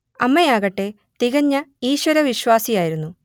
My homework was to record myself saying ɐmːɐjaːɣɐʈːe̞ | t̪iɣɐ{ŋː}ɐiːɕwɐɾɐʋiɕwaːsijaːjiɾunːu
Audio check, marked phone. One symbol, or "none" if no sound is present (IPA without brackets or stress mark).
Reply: ɲː